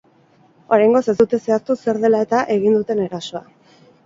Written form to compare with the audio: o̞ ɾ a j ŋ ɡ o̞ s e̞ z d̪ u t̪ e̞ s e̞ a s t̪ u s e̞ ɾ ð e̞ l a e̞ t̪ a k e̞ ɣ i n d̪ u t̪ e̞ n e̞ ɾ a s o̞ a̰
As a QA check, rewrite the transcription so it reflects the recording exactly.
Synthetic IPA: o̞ ɾ a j ŋ ɡ o̞ s e̞ z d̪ u t̪ e̞ s e̞ a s t̪ u s e̞ ɾ ð e̞ l a e̞ t̪ a ʔ e̞ ɣ i n d̪ u t̪ e̞ n e̞ ɾ a s o̞ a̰